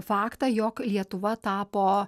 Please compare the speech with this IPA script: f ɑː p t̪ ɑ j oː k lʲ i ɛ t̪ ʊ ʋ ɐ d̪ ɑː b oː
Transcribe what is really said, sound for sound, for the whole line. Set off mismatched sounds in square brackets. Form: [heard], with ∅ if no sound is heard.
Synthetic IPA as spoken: f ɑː [k] t̪ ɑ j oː k lʲ i ɛ t̪ ʊ ʋ ɐ [t̪] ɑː [p] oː